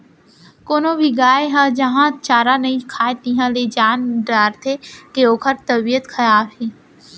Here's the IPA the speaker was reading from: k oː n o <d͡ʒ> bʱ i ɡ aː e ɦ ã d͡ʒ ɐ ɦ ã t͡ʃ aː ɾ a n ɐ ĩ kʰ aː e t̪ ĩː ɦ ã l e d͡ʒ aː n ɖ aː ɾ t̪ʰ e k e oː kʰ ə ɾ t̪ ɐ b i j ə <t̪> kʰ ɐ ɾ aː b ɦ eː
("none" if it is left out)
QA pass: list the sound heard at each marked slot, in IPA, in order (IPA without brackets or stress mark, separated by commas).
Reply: none, t̪